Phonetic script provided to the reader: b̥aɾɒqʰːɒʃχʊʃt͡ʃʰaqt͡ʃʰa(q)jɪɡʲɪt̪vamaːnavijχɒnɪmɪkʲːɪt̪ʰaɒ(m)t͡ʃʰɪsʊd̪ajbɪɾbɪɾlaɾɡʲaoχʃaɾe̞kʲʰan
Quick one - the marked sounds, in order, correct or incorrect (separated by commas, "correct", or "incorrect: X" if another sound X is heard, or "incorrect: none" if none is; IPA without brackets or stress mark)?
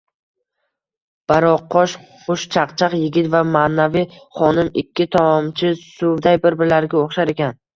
correct, correct